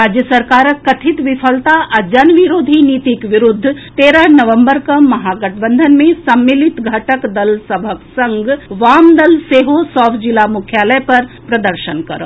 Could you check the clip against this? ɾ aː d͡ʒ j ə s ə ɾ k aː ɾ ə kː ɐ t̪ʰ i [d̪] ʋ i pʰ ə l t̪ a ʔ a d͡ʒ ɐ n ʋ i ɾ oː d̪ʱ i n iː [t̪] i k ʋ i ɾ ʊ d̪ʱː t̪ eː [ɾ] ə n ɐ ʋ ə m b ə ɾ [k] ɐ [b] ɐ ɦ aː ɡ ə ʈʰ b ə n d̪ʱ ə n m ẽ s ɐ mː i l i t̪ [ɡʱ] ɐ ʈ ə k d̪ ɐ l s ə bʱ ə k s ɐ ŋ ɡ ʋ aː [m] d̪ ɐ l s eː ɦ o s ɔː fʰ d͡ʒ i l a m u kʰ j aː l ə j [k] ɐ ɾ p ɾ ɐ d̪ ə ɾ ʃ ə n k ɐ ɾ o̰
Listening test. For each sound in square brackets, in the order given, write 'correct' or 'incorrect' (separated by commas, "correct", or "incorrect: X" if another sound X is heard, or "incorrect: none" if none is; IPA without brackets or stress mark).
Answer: incorrect: t̪, correct, correct, correct, incorrect: m, correct, correct, incorrect: p